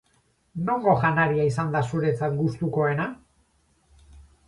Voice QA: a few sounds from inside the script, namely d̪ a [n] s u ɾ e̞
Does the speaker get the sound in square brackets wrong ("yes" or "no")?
yes